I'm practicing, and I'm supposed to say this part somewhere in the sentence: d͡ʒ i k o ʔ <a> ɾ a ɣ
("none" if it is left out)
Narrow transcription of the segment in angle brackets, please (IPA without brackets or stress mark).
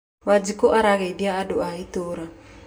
a